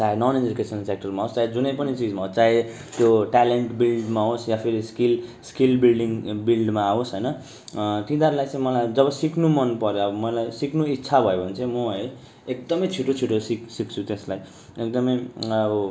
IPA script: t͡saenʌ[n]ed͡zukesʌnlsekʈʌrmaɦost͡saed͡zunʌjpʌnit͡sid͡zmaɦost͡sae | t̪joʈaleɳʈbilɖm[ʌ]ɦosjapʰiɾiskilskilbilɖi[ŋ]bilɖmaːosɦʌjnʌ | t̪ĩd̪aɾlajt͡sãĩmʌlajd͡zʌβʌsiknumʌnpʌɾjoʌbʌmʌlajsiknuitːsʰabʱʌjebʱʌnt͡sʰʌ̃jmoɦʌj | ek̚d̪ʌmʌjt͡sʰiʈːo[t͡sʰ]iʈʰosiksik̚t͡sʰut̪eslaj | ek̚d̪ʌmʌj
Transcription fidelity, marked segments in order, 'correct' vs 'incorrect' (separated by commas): correct, incorrect, correct, correct